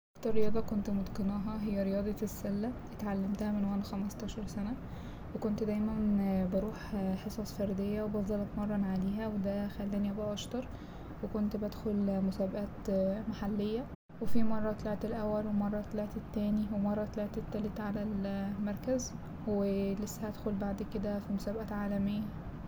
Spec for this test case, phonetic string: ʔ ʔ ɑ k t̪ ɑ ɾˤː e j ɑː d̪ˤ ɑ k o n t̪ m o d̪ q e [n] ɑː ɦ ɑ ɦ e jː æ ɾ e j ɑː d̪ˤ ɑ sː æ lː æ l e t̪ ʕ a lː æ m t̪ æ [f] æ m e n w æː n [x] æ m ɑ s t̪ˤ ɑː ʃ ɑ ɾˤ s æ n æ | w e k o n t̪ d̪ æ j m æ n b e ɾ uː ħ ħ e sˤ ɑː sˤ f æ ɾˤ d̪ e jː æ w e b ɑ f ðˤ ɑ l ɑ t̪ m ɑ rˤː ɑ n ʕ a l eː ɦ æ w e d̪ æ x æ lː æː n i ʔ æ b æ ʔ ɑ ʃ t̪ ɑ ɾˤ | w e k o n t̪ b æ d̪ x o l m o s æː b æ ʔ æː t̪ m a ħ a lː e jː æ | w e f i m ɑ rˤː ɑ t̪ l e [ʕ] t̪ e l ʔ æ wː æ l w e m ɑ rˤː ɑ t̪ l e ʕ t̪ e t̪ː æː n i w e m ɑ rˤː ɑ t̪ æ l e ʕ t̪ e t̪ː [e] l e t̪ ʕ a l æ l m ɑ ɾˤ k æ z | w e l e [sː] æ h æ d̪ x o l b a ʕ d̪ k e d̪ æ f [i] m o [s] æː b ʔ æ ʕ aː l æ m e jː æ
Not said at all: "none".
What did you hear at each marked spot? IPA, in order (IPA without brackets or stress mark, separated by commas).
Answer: n, h, x, ʕ, æ, sː, i, s